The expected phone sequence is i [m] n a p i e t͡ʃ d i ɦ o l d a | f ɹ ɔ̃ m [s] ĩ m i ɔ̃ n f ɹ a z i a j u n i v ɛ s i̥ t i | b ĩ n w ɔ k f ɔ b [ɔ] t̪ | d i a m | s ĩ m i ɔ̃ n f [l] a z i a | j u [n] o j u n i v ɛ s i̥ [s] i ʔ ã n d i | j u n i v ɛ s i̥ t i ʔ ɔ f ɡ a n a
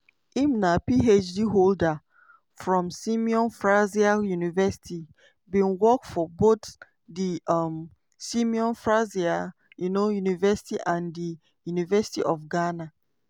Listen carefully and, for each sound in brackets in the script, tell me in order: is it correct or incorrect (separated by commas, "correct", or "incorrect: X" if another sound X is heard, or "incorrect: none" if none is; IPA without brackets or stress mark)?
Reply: correct, correct, incorrect: o, incorrect: ɹ, correct, incorrect: t